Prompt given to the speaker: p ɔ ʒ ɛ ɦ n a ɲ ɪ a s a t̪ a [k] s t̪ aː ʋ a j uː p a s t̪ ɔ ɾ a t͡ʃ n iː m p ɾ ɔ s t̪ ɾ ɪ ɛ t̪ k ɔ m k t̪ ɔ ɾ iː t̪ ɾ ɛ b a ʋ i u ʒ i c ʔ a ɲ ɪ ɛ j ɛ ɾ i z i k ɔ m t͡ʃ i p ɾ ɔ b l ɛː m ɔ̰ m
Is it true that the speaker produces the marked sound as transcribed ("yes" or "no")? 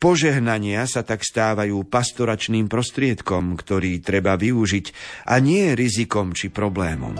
yes